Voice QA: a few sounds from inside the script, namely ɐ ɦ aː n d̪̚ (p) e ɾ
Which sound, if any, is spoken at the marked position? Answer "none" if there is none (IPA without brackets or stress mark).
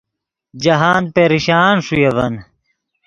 p